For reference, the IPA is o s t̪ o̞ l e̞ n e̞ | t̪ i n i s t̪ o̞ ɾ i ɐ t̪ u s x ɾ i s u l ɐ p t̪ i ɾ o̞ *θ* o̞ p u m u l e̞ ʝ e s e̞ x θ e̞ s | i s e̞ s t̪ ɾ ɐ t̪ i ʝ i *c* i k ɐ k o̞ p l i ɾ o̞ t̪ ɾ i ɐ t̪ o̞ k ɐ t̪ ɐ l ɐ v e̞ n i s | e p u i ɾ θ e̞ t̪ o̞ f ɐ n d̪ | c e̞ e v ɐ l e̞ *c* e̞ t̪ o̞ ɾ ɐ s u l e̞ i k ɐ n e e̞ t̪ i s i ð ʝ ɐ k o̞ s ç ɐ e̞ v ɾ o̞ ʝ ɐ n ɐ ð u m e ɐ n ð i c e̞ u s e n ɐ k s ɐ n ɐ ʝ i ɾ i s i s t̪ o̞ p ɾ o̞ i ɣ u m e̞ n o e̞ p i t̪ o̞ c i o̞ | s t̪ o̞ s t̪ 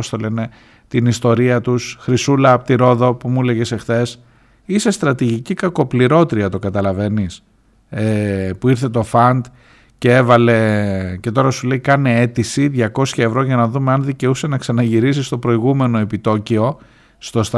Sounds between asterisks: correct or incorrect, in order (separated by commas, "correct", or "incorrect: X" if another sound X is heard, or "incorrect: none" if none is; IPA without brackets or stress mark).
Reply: incorrect: ð, correct, correct